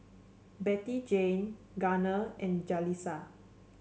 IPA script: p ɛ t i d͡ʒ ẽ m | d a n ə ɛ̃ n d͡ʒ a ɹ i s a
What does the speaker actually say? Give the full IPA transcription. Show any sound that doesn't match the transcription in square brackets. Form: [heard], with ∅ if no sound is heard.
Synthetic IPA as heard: [b] ɛ t i d͡ʒ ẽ [n] | [ɡ] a n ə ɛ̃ n d͡ʒ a [l] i s a